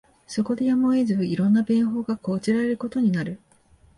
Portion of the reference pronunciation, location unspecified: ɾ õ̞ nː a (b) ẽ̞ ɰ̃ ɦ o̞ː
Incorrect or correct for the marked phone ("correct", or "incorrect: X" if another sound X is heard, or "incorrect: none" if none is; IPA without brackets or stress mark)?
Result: correct